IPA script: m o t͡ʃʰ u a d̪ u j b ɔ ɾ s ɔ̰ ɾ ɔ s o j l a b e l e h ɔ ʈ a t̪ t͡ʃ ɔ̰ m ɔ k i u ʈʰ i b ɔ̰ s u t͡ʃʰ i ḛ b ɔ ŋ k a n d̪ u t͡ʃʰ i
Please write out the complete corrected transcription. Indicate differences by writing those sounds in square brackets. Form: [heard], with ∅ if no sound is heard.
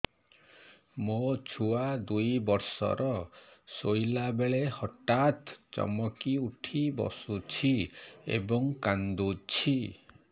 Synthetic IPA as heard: m o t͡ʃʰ u a d̪ u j b ɔ ɾ s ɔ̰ ɾ ɔ s o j l a b e [ɭ] e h ɔ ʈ a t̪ t͡ʃ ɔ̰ m ɔ k i u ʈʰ i b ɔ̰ s u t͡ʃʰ i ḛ b ɔ ŋ k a n d̪ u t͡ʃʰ i